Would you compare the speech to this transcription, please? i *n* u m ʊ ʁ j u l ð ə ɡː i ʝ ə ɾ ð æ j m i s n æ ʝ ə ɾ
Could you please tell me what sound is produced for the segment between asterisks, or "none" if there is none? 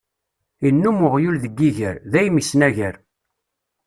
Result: nː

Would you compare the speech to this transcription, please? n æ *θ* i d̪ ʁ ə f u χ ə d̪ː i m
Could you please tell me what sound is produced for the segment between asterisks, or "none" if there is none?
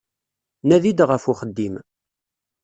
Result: ð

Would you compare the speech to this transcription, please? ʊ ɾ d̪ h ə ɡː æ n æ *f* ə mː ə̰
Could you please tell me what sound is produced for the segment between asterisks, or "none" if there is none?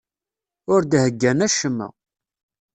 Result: ʃ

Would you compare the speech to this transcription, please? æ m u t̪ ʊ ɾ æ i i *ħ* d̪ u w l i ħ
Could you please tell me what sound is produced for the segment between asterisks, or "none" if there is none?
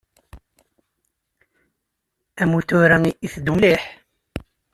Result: θ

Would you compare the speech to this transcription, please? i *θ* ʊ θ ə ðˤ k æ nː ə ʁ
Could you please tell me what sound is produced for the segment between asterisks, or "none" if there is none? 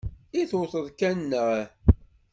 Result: θ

